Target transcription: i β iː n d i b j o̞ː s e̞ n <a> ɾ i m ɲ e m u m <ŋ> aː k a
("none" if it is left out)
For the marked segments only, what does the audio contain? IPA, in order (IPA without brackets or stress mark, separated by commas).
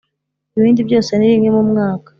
i, ŋ